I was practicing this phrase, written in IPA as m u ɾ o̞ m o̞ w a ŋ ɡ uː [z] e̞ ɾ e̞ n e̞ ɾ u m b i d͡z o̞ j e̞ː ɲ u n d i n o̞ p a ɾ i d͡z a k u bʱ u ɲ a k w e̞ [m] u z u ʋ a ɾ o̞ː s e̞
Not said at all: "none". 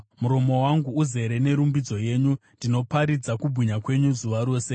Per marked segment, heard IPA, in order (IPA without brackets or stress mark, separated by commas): z, ɲ